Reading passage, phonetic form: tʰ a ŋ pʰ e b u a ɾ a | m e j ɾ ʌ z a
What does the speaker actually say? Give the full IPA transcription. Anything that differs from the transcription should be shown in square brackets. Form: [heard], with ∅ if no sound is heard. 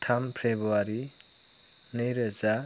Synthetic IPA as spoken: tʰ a [m] pʰ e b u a ɾ [i] | [n] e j ɾ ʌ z a